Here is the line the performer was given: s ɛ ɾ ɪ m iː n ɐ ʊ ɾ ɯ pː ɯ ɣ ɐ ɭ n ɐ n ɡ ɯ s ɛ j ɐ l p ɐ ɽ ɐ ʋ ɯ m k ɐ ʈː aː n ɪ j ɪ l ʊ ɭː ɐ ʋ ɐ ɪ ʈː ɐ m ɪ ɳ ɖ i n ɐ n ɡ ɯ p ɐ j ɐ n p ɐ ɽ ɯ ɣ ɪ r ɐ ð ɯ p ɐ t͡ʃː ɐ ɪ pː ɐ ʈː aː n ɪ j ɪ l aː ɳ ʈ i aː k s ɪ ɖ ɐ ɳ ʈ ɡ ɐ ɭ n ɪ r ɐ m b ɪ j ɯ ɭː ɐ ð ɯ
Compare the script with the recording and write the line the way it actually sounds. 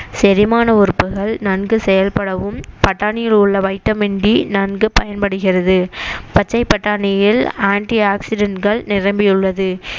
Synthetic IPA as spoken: s ɛ ɾ ɪ m aː n ɐ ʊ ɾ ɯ pː ɯ ɣ ɐ ɭ n ɐ n ɡ ɯ s ɛ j ɐ l p ɐ ɽ ɐ ʋ ɯ m p ɐ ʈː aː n ɪ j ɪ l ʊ ɭː ɐ ʋ ɐ ɪ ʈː ɐ m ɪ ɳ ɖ i n ɐ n ɡ ɯ p ɐ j ɐ n p ɐ ɽ ɯ ɣ ɪ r ɐ ð ɯ p ɐ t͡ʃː ɐ ɪ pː ɐ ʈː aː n ɪ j ɪ l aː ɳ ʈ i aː k s ɪ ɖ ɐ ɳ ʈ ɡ ɐ ɭ n ɪ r ɐ m b ɪ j ɯ ɭː ɐ ð ɯ

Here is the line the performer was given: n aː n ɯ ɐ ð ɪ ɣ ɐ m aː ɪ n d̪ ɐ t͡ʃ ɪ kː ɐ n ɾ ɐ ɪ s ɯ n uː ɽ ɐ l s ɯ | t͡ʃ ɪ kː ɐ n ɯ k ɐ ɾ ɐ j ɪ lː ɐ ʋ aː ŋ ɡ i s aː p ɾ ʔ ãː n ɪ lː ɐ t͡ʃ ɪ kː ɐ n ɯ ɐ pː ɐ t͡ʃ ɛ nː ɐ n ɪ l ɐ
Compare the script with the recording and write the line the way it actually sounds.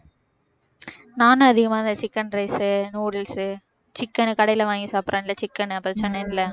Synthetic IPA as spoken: n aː n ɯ ɐ ð ɪ ɣ ɐ m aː ɪ n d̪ ɐ t͡ʃ ɪ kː ɐ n ɾ ɐ ɪ s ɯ n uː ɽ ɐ l s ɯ | t͡ʃ ɪ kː ɐ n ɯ k ɐ ɽ ɐ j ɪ l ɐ ʋ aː ŋ ɡ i s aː p ɾ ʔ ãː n ɪ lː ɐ t͡ʃ ɪ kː ɐ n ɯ ɐ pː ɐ t͡ʃ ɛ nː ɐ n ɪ l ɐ

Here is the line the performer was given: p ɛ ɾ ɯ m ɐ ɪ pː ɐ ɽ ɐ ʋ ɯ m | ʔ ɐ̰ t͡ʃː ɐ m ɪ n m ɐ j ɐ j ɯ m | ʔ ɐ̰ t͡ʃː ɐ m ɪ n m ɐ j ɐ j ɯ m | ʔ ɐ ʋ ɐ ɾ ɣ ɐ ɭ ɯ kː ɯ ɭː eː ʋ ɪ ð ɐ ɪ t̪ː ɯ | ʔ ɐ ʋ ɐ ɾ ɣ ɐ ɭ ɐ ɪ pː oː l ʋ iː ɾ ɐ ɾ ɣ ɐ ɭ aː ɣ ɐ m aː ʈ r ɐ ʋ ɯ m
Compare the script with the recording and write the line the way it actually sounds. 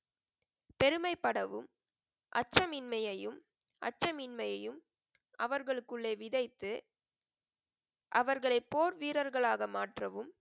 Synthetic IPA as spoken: p ɛ ɾ ɯ m ɐ ɪ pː ɐ ɽ ɐ ʋ ɯ m | ʔ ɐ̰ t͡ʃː ɐ m ɪ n m ɐ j ɐ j ɯ m | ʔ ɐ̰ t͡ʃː ɐ m ɪ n m ɐ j ɐ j ɯ m | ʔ ɐ ʋ ɐ ɾ ɣ ɐ ɭ ɯ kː ɯ ɭː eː ʋ ɪ ð ɐ ɪ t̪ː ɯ | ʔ ɐ ʋ ɐ ɾ ɣ ɐ ɭ ɐ ɪ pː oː ɾ ʋ iː ɾ ɐ ɾ ɣ ɐ ɭ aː ɣ ɐ m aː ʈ r ɐ ʋ ɯ m

